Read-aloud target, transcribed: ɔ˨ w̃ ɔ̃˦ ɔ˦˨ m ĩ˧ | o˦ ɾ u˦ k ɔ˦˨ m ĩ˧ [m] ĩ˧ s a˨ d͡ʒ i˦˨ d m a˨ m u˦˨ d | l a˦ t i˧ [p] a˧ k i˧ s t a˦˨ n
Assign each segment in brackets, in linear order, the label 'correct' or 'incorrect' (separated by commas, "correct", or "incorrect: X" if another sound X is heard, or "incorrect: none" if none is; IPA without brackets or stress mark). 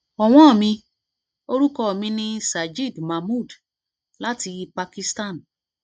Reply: incorrect: n, correct